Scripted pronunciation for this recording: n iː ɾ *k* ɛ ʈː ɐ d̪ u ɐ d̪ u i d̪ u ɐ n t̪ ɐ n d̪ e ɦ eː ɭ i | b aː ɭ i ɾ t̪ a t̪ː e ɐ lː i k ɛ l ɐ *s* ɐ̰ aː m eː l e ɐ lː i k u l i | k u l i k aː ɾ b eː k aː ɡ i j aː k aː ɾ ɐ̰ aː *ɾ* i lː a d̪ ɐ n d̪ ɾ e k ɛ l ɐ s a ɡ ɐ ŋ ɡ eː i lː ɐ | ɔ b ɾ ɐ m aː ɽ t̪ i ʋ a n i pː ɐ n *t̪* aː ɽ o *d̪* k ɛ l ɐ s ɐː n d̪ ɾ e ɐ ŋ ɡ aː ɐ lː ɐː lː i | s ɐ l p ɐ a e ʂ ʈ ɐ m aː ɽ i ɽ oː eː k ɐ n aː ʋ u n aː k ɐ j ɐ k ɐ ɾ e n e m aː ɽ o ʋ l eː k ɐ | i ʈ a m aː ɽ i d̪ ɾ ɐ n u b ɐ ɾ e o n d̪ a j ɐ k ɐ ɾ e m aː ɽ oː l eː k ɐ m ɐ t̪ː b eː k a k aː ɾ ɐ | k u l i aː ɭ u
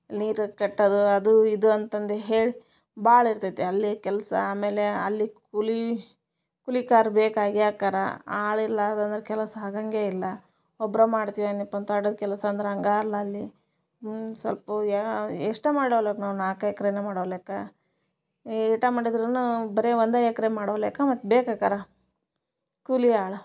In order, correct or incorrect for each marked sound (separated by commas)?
correct, correct, incorrect, correct, correct